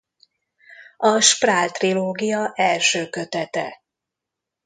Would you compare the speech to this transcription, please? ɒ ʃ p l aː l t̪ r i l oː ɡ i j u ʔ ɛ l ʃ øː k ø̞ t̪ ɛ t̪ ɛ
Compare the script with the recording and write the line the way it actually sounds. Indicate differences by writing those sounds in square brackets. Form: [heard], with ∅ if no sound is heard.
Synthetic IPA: ɒ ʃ p [r] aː l t̪ r i l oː ɡ i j [ɒ] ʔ ɛ l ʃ øː k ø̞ t̪ ɛ t̪ ɛ